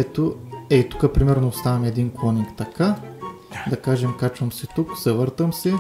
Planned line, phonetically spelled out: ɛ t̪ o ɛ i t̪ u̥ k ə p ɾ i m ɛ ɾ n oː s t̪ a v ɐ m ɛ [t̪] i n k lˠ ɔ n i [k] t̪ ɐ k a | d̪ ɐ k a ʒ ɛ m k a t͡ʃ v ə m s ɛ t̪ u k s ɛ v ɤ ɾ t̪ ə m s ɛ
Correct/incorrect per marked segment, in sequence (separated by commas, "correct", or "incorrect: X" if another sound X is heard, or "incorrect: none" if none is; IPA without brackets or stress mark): incorrect: d̪, correct